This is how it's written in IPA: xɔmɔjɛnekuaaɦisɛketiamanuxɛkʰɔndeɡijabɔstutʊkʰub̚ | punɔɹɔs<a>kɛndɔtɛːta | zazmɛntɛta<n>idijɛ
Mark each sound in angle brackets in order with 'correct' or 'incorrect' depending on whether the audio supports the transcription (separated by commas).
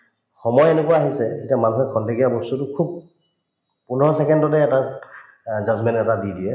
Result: incorrect, incorrect